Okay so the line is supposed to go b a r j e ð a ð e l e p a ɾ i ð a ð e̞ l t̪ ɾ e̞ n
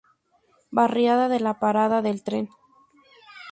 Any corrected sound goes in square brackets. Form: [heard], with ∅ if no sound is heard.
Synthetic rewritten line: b a r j [a] ð a ð e l [a] p a ɾ [a] ð a ð e̞ l t̪ ɾ e̞ n